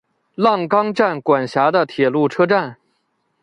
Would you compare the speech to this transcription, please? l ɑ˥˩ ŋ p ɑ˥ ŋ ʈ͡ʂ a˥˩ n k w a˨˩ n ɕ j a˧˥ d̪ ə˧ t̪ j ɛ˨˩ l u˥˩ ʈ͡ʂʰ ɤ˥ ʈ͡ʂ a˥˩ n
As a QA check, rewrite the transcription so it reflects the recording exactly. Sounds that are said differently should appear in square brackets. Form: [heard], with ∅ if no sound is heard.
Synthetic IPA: l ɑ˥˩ ŋ [k] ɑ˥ ŋ ʈ͡ʂ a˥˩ n k w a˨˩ n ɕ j a˧˥ d̪ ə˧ [t̪ʰ] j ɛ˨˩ l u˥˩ ʈ͡ʂʰ ɤ˥ ʈ͡ʂ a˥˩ n